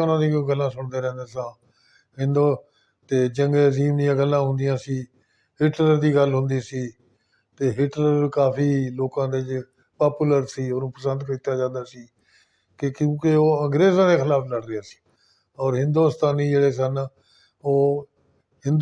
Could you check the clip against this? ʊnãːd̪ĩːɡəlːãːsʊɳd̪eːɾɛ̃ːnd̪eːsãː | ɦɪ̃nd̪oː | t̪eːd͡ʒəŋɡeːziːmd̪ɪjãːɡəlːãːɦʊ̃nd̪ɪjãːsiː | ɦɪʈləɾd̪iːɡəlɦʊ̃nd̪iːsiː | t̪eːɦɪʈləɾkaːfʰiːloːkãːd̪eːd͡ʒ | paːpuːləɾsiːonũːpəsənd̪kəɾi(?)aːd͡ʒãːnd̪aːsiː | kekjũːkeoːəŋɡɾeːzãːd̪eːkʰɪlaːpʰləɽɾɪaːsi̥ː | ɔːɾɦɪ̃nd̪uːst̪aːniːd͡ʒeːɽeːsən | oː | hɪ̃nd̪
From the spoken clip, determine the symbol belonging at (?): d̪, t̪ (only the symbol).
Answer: t̪